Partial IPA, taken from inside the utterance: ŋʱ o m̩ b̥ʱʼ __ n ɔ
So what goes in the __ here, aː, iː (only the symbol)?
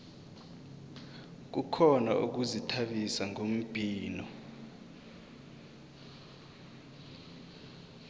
iː